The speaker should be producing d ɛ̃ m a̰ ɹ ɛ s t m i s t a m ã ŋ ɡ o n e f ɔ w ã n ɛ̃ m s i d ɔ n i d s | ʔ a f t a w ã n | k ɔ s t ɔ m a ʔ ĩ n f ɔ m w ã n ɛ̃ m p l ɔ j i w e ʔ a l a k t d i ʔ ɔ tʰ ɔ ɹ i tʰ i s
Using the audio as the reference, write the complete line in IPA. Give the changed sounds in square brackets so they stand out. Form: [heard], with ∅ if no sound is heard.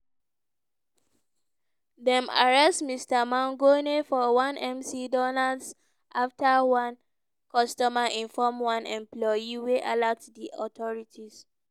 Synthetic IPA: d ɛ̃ m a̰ ɹ ɛ s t m i s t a m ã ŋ ɡ o n e f ɔ w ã n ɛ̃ m s i d ɔ n [a] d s | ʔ a f t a w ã n | k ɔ s t ɔ m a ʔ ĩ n f ɔ m w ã n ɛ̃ m p l ɔ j i w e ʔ a l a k t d i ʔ ɔ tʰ ɔ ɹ i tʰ i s